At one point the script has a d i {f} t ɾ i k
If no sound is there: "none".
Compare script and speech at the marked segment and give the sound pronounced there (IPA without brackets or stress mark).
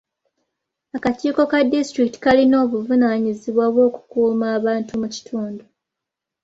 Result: s